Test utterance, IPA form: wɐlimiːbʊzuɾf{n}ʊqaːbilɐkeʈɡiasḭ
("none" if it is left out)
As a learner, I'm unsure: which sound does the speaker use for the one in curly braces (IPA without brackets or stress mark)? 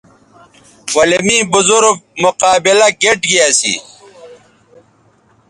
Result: m